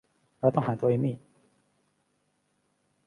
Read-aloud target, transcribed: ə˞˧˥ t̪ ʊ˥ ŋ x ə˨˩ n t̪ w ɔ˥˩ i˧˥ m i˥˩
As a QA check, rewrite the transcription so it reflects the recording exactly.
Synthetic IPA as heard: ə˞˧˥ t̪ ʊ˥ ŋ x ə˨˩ n t̪ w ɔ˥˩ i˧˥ m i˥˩